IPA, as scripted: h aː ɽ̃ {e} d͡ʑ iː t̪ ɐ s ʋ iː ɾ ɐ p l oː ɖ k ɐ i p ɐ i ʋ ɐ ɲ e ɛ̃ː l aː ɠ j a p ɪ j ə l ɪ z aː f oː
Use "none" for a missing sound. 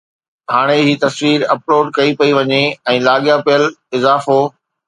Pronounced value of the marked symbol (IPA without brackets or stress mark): e